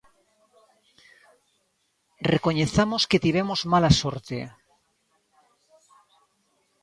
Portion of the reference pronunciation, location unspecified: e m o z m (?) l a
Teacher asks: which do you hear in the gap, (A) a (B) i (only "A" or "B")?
A